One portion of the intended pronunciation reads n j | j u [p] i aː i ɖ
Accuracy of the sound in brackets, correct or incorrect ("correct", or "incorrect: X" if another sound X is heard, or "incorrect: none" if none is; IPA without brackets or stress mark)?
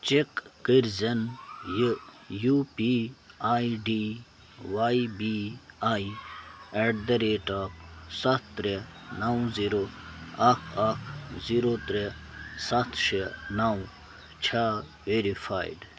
correct